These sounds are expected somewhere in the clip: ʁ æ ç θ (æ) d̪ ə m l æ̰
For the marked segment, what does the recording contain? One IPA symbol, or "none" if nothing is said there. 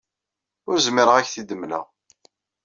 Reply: i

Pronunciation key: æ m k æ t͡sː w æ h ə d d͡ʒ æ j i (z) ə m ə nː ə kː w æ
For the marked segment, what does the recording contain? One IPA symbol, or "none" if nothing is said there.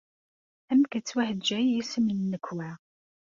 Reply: s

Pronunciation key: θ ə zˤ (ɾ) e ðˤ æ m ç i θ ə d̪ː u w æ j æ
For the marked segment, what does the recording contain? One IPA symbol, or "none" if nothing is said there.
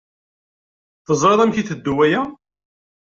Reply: ɾ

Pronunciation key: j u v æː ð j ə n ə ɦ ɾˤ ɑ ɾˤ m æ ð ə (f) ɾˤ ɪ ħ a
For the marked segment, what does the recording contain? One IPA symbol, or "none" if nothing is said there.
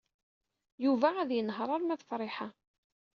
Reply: f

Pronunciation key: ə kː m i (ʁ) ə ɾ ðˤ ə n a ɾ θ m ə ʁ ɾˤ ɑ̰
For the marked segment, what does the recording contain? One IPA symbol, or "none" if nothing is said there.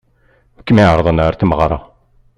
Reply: ʕ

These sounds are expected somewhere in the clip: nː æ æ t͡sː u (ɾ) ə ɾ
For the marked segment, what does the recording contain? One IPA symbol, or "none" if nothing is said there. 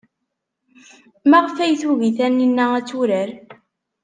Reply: ɾ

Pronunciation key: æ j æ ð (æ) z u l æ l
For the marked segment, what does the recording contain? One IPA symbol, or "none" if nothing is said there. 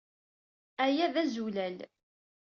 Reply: æ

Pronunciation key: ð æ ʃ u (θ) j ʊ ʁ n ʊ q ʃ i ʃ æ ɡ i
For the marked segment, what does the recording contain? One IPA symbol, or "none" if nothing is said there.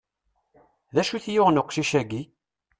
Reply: θ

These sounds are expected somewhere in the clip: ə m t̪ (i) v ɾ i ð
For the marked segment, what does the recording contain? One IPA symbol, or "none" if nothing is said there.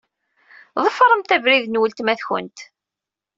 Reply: æ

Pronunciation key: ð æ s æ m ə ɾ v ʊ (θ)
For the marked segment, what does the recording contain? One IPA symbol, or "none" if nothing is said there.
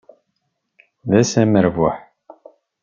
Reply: ħ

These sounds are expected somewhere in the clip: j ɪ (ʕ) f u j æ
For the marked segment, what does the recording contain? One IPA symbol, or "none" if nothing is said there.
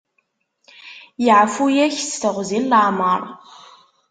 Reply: ʕ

